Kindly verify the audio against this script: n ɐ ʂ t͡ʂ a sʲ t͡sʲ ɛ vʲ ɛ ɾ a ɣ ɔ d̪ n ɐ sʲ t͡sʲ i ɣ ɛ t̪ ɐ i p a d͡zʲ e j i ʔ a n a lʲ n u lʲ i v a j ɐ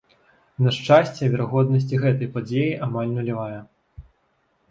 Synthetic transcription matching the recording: n ɐ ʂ t͡ʂ a sʲ t͡sʲ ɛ vʲ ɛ ɾ a ɣ ɔ d̪ n ɐ sʲ t͡sʲ i ɣ ɛ t̪ ɐ j p a d͡zʲ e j i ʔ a m a lʲ n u lʲ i v a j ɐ